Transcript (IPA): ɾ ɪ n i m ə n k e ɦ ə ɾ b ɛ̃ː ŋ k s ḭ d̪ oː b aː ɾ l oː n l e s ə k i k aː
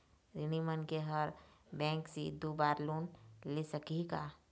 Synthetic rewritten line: ɾ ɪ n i m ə n k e ɦ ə ɾ b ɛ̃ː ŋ k s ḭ d̪ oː b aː ɾ l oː n l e s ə k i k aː